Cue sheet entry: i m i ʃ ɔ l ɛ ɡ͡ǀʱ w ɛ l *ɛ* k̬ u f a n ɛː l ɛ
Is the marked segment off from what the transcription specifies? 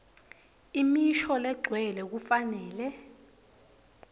no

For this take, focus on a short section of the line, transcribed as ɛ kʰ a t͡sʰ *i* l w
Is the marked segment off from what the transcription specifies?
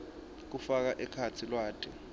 no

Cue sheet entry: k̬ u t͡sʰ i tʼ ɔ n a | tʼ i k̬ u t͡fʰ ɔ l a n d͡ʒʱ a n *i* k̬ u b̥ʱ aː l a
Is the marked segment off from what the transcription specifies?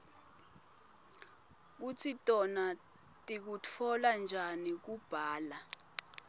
no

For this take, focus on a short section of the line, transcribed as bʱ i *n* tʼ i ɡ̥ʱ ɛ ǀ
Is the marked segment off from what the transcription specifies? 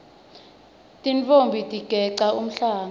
yes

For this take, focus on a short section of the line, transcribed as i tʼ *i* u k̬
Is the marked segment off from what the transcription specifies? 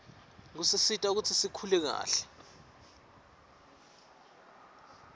yes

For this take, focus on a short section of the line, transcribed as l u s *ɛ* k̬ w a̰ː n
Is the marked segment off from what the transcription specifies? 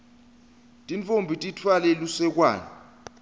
no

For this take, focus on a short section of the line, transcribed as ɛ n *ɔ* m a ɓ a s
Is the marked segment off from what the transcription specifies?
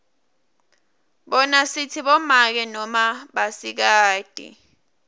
no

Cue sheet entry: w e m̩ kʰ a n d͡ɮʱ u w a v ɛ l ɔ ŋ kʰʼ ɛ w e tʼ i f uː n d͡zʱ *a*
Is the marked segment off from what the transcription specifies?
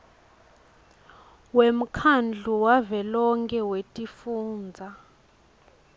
no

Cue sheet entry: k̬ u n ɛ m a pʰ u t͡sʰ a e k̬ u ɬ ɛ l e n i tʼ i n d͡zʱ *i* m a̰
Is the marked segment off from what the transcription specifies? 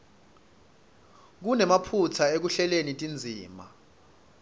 yes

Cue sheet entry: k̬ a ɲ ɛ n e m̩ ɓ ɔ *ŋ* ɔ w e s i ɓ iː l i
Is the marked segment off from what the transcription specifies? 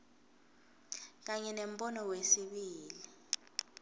yes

